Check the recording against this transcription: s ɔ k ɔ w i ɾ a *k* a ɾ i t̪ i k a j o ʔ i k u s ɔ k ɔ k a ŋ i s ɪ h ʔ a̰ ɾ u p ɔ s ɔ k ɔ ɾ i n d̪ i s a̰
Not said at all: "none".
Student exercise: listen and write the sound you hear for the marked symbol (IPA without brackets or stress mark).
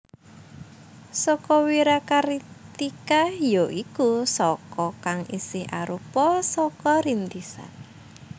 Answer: k